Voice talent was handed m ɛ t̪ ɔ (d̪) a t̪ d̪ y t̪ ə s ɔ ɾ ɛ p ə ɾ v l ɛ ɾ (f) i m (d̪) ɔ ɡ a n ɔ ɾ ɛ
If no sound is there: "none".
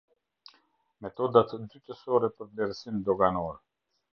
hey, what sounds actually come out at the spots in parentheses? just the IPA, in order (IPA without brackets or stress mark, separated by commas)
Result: d̪, s, d̪